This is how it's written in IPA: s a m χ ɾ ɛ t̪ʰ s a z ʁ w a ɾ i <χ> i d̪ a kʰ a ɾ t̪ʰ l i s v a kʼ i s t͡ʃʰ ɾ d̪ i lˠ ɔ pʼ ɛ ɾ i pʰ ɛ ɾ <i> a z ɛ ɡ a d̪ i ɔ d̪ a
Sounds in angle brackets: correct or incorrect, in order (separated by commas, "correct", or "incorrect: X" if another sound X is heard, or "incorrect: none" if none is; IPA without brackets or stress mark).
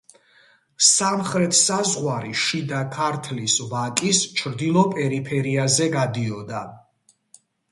incorrect: ʃ, correct